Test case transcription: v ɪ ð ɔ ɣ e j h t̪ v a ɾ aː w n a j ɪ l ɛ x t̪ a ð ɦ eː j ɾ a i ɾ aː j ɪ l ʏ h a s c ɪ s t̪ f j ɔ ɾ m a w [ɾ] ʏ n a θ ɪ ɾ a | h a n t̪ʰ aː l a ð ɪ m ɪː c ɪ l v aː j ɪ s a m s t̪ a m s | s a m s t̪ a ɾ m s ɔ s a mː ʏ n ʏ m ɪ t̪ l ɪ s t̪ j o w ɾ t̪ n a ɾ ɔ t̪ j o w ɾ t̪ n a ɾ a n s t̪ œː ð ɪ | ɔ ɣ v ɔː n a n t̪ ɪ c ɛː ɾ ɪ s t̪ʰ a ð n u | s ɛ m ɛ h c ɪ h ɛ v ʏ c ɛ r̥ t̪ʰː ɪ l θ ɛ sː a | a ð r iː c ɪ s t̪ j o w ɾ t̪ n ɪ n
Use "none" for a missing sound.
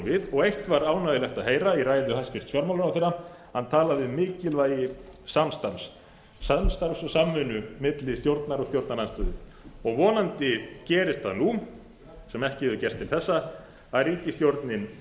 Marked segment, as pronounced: l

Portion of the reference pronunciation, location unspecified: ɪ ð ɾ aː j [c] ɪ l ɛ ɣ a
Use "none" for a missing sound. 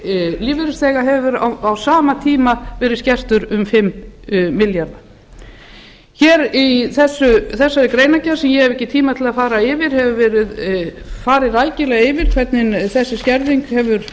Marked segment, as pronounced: c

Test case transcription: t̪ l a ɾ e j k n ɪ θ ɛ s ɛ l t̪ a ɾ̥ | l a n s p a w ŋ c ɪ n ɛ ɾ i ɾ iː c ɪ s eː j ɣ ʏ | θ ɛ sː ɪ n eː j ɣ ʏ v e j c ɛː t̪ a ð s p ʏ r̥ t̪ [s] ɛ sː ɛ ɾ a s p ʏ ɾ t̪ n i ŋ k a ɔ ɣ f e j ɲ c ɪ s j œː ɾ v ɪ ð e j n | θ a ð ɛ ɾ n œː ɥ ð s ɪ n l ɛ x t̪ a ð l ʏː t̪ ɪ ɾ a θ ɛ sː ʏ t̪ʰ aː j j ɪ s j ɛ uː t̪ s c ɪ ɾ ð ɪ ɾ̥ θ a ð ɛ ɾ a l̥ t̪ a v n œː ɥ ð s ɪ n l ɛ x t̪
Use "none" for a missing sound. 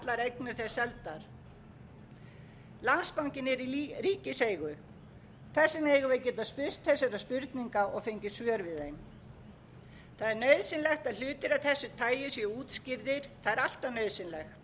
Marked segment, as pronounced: θ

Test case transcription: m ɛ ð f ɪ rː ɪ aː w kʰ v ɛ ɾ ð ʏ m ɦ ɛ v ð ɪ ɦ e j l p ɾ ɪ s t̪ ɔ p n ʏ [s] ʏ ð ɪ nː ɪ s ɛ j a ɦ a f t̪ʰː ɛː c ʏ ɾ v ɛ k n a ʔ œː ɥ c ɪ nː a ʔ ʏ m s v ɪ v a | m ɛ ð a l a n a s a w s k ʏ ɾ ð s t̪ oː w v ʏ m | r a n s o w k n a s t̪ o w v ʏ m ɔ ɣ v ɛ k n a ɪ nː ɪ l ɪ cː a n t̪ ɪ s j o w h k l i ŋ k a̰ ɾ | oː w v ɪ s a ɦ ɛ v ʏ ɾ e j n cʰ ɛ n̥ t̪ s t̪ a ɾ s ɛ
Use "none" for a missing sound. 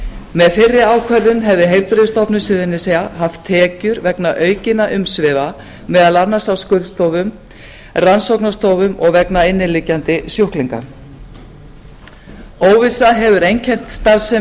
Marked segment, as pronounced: s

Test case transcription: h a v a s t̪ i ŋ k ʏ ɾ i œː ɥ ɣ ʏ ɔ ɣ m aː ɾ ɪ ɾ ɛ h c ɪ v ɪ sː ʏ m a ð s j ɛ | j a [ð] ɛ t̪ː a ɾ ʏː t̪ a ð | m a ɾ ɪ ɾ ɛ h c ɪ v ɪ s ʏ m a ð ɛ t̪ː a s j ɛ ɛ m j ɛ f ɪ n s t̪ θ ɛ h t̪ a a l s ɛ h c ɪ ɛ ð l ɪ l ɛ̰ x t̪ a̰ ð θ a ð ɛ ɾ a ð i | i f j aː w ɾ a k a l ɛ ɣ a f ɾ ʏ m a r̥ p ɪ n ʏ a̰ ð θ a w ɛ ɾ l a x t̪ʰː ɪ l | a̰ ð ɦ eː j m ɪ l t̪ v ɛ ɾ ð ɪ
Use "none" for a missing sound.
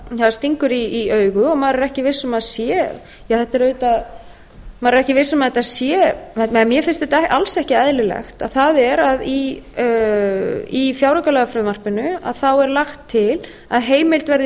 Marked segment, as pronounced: θ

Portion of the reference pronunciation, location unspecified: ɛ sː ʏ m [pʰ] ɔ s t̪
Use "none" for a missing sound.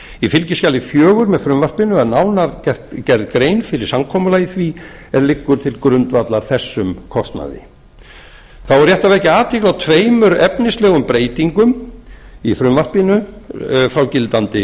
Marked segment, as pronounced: kʰ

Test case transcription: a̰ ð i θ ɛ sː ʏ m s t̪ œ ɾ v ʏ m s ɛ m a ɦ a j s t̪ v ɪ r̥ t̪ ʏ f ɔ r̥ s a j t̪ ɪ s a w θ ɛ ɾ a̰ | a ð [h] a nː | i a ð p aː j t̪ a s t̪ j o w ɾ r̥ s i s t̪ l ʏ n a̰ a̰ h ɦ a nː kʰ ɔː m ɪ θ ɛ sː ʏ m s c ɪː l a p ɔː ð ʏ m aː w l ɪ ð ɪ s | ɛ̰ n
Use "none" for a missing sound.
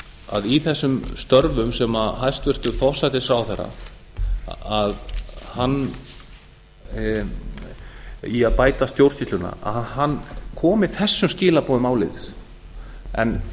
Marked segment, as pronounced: h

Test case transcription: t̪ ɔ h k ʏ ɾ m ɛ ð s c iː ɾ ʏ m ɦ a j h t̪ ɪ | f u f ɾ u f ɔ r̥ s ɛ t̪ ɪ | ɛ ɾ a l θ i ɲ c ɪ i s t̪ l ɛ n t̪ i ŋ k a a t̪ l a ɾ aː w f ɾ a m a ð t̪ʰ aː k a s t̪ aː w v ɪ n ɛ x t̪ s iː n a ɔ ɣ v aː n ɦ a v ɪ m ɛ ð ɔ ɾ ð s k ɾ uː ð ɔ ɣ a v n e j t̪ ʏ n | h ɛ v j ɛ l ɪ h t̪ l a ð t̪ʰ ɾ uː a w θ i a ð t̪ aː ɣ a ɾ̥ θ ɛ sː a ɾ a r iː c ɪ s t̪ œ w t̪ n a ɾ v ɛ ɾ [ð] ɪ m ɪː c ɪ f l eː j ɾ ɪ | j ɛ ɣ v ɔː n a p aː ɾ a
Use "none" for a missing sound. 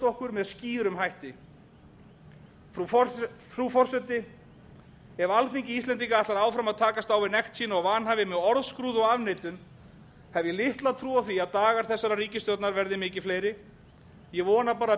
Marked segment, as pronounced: ð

